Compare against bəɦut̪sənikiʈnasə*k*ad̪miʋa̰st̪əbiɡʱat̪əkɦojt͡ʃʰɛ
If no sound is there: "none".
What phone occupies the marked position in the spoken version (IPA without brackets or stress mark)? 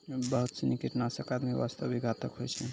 k